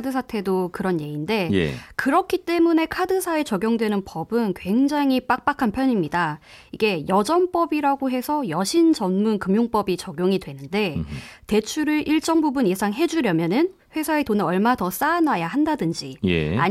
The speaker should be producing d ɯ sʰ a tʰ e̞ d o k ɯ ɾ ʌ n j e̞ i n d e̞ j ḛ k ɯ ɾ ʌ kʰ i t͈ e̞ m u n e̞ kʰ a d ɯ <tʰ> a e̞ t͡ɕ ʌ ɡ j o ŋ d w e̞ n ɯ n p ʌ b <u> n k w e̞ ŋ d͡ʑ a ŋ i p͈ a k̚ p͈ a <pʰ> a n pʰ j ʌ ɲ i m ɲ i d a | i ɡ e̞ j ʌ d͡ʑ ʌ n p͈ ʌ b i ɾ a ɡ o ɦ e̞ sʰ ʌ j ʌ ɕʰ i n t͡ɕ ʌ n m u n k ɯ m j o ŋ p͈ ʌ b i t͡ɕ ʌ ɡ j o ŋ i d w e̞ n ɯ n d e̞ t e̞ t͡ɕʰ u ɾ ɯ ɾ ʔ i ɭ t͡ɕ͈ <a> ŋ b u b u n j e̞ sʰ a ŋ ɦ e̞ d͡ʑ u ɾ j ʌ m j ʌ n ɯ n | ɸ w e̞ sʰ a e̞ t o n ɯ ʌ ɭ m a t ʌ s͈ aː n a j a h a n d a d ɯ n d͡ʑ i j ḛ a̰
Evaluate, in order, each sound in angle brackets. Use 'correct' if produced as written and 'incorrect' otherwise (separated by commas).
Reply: incorrect, incorrect, incorrect, incorrect